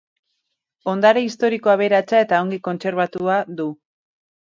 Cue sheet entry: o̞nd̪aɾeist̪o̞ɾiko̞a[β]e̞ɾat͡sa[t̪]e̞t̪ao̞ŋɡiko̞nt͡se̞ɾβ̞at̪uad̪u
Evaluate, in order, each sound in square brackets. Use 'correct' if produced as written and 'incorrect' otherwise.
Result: correct, incorrect

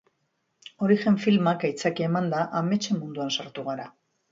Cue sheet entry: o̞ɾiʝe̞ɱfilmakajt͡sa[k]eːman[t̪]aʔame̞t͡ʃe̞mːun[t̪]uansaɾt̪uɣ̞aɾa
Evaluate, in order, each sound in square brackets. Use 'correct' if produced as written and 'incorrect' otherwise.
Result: correct, incorrect, incorrect

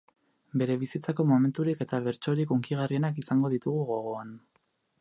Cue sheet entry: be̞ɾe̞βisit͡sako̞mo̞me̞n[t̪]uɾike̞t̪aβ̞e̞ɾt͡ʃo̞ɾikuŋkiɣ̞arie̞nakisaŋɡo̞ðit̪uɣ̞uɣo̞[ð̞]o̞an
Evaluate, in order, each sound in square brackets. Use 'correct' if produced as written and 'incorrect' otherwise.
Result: correct, incorrect

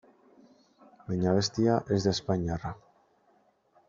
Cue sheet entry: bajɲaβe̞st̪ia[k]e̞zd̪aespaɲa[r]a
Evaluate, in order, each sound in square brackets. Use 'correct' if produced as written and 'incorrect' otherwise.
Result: incorrect, correct

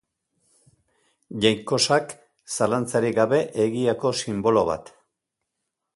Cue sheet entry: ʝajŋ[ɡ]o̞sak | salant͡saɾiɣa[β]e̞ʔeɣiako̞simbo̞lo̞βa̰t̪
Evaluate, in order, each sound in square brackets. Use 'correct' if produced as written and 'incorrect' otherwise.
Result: incorrect, correct

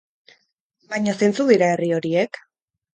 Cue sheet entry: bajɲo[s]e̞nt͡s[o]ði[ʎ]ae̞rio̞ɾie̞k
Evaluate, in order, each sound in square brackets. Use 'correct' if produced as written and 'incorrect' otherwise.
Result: correct, incorrect, incorrect

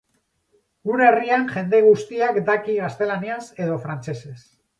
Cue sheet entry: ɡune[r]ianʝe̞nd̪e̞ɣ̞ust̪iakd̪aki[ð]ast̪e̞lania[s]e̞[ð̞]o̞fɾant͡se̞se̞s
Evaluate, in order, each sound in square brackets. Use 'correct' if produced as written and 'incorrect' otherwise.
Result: correct, incorrect, correct, correct

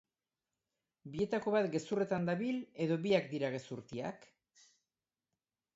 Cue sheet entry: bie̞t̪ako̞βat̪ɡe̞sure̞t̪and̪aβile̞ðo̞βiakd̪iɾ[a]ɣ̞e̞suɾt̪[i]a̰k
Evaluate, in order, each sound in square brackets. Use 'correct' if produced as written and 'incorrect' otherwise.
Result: correct, correct

